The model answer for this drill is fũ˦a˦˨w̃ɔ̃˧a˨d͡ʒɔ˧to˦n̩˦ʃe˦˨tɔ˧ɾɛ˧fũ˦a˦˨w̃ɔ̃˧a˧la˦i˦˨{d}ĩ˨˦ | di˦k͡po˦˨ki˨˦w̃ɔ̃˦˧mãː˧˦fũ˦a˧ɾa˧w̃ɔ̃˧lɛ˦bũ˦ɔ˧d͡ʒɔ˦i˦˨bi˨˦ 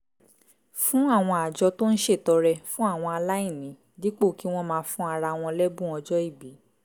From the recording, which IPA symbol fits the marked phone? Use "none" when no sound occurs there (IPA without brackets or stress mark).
n